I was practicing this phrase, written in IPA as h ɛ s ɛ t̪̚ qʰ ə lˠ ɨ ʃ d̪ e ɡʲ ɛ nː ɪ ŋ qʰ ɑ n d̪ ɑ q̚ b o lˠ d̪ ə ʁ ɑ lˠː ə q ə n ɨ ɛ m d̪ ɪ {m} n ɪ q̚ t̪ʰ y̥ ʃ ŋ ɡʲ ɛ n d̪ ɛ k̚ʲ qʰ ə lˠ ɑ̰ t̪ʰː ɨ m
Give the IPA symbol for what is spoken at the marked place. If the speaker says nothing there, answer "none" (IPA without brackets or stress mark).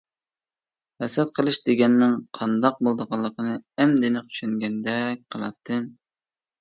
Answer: none